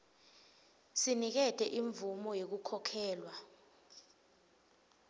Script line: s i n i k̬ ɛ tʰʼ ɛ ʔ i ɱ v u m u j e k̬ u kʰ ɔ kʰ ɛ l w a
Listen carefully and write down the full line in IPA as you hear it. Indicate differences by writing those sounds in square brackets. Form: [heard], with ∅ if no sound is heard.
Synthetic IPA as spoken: s i n i k̬ ɛ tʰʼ ɛ ʔ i ɱ v u m [ɔ] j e k̬ u kʰ ɔ kʰ [ɛː] l w a